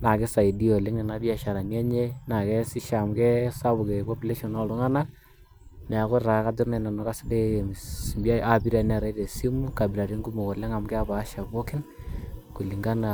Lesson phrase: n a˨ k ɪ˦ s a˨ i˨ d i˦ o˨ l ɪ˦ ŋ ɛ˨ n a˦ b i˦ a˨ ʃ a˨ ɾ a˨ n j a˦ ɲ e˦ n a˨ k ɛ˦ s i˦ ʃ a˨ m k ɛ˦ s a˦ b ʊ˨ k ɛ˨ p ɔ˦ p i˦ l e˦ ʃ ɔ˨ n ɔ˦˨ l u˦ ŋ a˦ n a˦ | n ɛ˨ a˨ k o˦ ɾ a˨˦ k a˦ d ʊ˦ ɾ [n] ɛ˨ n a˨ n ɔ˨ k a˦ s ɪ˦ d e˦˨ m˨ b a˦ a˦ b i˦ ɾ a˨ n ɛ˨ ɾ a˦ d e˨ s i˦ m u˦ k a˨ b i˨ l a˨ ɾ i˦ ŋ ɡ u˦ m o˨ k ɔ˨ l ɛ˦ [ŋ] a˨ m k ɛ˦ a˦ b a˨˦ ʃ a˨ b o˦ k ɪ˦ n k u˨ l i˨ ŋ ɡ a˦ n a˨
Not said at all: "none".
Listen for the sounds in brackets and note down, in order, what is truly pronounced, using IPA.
n, ŋ

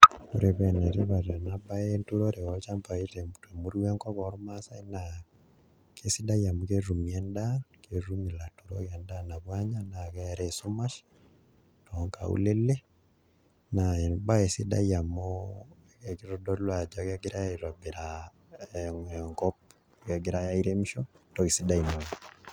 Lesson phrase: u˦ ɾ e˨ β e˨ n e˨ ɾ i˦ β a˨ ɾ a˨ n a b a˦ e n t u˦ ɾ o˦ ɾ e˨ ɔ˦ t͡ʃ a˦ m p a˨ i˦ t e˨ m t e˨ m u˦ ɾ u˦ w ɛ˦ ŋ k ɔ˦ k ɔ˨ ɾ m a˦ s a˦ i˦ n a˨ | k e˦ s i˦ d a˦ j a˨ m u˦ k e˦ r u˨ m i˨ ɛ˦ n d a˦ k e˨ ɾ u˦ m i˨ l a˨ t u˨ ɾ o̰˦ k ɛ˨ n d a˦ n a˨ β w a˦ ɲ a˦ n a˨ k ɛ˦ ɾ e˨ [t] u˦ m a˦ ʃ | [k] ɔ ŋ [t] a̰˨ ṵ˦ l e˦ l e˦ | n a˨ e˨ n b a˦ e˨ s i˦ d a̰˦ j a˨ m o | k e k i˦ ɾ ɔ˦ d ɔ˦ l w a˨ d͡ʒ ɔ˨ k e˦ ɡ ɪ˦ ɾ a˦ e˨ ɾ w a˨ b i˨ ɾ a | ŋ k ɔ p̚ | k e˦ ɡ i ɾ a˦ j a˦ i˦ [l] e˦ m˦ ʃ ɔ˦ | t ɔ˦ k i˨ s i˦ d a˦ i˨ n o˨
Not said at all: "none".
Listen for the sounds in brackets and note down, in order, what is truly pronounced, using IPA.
s, t, k, ɾ

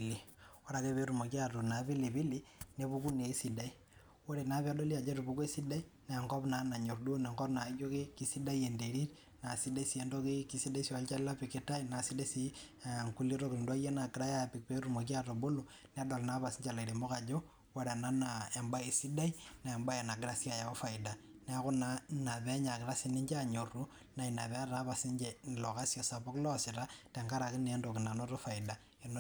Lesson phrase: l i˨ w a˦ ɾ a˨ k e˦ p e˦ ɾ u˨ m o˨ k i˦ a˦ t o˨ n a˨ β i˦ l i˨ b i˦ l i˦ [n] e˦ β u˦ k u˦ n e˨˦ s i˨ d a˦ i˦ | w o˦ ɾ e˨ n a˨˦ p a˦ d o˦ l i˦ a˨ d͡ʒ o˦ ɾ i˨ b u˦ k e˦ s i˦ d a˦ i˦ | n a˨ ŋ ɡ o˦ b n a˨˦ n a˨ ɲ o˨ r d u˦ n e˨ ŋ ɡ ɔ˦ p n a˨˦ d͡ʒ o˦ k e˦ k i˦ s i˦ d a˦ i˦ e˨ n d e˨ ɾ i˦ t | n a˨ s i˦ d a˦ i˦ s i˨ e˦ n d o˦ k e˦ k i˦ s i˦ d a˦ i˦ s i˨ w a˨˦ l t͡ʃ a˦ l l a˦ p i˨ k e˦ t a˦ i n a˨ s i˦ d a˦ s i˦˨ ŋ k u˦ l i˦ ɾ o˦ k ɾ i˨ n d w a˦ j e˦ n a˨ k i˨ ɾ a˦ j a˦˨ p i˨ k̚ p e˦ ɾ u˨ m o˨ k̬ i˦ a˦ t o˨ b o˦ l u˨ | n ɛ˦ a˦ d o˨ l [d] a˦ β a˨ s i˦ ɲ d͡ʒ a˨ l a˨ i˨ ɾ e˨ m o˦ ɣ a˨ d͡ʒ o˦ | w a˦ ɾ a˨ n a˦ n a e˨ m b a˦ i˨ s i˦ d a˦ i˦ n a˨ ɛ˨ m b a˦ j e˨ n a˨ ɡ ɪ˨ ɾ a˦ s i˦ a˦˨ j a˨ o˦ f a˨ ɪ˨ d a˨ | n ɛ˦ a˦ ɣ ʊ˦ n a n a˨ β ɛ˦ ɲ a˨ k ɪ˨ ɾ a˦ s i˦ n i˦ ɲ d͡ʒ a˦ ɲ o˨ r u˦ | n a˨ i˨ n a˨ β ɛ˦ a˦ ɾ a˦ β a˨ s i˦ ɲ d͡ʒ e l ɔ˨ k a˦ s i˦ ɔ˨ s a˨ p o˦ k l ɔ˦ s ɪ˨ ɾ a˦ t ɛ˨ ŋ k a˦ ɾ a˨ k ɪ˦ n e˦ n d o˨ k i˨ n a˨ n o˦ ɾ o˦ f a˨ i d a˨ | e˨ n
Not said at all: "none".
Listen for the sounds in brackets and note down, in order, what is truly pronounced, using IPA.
n, n

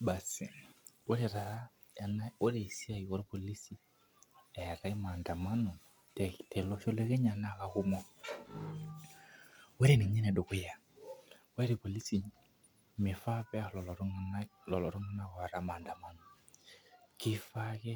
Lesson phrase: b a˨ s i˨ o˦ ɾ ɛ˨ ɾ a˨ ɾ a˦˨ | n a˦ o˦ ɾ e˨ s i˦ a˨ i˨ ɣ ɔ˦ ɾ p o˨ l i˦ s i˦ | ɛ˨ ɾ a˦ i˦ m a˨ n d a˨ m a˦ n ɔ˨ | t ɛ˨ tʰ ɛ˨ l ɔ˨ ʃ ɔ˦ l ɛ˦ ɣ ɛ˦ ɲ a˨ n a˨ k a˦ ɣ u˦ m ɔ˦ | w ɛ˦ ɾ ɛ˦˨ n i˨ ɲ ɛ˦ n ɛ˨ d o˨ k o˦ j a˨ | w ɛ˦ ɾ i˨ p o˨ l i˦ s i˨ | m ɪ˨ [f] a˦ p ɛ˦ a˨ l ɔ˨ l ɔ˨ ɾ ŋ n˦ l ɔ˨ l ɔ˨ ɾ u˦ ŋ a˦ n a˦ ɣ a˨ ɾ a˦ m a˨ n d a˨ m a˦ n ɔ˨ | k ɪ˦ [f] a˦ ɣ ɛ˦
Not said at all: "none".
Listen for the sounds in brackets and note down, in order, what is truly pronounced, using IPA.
f, f

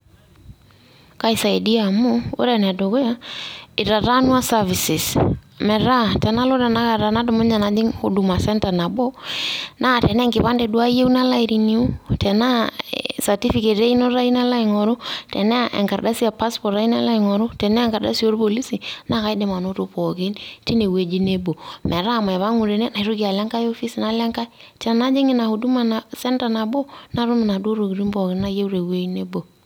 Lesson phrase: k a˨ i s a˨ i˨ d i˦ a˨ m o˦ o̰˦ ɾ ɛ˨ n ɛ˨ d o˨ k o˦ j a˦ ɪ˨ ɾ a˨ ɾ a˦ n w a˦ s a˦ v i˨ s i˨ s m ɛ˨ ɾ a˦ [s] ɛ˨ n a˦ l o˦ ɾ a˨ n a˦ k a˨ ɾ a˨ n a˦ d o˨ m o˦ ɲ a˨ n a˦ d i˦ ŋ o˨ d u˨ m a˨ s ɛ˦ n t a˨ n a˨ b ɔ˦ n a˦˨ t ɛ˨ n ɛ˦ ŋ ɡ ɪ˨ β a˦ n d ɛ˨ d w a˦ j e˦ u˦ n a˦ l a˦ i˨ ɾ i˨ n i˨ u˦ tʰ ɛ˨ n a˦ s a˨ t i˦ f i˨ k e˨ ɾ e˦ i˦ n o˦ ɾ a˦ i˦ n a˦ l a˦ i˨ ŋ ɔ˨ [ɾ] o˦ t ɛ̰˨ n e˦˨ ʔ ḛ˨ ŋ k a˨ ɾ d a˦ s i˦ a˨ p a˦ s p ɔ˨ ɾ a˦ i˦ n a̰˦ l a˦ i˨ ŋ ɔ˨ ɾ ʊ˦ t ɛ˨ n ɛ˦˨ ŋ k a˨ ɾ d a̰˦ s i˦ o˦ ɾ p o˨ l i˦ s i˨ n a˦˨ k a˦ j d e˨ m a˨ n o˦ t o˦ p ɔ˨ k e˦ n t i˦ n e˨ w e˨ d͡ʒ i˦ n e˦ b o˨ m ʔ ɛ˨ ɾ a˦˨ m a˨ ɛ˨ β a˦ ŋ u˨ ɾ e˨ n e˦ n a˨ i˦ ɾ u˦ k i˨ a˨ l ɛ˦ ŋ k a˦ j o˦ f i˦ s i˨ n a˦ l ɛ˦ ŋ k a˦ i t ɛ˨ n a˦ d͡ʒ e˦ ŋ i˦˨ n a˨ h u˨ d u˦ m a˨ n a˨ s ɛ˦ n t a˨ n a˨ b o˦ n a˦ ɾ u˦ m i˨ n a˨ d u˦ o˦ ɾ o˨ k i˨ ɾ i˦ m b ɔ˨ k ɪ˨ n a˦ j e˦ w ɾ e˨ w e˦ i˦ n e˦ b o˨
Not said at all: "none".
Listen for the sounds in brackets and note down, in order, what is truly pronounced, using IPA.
t, ɾ

